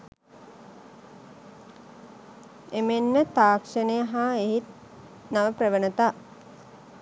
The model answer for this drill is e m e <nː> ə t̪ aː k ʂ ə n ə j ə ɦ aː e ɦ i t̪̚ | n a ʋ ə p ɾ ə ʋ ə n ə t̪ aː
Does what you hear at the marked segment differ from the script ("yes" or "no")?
no